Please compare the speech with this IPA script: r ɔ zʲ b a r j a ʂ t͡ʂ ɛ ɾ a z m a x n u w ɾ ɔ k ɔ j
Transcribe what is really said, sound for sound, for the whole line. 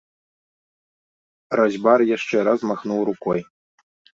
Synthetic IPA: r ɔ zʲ b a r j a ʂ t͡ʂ ɛ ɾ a z m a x n u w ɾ u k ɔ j